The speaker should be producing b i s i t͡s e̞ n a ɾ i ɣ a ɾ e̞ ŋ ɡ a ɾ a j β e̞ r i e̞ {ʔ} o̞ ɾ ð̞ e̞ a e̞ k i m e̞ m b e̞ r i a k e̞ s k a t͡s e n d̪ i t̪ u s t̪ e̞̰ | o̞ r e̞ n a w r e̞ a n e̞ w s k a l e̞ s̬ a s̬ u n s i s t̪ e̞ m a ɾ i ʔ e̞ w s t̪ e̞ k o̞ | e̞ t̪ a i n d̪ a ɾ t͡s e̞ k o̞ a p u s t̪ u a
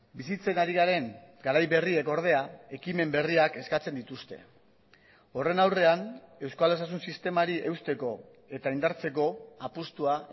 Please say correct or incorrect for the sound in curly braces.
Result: incorrect